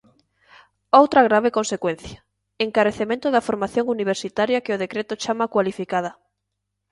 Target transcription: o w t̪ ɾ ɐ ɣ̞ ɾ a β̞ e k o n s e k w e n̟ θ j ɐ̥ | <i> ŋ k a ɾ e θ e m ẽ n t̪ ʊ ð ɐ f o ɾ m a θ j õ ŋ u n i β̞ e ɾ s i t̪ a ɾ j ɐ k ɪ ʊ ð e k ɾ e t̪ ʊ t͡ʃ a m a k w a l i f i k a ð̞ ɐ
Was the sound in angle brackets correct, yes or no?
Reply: no